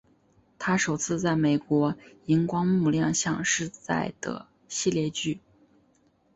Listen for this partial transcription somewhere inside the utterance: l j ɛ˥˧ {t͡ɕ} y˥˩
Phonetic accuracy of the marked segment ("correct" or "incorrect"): correct